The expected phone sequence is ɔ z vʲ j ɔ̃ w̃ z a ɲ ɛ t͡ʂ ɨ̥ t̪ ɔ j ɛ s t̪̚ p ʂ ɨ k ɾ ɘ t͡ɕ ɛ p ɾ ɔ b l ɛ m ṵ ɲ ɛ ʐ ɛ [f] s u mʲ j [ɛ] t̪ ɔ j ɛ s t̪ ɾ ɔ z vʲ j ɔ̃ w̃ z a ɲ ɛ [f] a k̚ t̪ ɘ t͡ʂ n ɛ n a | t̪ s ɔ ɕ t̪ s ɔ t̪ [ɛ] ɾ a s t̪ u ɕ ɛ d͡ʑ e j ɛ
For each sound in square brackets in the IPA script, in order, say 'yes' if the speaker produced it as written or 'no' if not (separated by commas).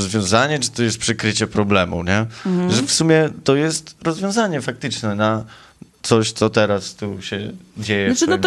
yes, yes, yes, yes